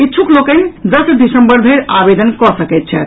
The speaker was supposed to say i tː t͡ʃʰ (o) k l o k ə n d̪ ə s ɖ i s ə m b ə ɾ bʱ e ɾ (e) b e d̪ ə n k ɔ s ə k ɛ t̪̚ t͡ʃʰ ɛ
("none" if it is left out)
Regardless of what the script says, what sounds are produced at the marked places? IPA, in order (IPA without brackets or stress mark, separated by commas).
u, a